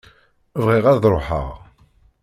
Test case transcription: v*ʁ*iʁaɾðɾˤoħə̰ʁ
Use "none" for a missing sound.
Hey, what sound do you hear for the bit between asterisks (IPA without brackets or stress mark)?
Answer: ʁ